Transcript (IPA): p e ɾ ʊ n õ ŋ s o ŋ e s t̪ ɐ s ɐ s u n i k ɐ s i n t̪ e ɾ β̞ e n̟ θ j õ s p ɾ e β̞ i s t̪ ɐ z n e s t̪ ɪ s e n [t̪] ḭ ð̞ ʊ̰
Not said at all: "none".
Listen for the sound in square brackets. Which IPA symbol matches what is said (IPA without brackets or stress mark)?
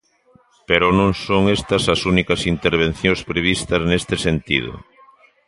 t̪